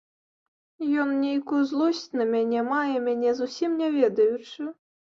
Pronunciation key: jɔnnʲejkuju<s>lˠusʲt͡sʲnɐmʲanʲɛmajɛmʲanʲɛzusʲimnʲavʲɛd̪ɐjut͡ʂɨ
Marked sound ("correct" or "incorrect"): incorrect